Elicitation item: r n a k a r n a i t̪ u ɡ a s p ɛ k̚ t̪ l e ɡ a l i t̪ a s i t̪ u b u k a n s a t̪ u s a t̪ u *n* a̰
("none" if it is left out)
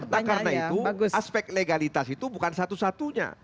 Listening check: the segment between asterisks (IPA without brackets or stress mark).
ɲ